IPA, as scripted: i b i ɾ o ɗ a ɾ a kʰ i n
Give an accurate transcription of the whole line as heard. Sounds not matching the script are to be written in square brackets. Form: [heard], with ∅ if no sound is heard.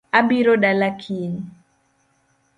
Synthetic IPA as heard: [a] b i ɾ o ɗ a [l] a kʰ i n